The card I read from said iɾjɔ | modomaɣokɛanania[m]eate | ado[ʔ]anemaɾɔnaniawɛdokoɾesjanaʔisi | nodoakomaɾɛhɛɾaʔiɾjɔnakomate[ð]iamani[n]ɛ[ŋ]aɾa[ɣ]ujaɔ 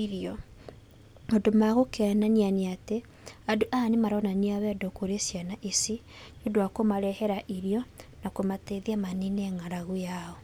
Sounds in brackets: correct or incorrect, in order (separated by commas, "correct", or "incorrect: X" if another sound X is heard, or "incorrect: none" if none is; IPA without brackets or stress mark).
incorrect: n, correct, correct, correct, correct, correct